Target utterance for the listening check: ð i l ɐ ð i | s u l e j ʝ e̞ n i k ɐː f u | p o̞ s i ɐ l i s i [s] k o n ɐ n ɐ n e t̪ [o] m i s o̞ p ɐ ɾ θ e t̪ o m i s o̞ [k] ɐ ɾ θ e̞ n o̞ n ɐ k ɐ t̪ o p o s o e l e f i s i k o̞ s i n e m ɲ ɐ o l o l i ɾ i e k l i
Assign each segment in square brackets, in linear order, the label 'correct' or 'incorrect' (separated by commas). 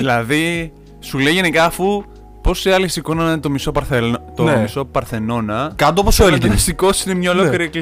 incorrect, correct, incorrect